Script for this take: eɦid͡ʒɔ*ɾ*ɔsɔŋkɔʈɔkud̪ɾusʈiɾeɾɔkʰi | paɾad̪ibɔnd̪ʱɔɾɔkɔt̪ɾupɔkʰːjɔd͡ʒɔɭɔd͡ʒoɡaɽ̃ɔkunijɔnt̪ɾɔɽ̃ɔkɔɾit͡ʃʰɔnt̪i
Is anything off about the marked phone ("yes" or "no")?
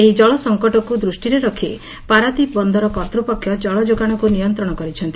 yes